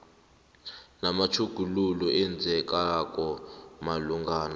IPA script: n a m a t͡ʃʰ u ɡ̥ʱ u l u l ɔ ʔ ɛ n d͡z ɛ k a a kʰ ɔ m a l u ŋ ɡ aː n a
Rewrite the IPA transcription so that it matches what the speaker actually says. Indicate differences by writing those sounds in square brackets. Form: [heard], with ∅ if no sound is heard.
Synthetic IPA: n a m a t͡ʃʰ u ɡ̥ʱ u l u l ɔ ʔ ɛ n d͡z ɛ k a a [k] ɔ m a l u ŋ ɡ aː n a